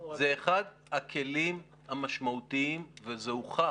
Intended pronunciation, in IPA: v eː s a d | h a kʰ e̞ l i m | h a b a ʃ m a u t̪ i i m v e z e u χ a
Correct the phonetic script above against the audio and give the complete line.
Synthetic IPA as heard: z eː χ a d | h a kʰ e̞ l i m | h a m a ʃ m a u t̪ i i m v e z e u χ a